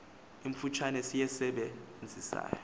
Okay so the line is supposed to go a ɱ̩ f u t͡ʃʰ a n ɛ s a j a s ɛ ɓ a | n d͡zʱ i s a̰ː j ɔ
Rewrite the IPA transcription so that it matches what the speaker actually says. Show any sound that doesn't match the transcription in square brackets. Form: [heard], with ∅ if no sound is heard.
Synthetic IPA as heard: [i] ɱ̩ f u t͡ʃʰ a n ɛ s [i] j [ɛ] s ɛ ɓ [ɛ] | n d͡zʱ i s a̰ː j ɔ